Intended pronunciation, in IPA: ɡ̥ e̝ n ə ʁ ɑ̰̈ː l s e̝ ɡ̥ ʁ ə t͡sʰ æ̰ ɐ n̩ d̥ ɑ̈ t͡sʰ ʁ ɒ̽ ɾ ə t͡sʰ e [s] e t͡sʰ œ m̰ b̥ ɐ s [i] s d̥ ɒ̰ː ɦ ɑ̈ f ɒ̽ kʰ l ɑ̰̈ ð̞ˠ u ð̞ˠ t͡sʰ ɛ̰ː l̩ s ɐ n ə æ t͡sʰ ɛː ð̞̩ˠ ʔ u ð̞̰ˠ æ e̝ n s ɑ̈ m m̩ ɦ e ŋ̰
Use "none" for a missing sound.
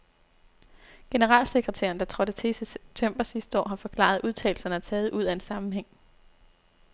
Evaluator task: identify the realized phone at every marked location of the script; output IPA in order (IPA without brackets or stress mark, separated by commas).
s, i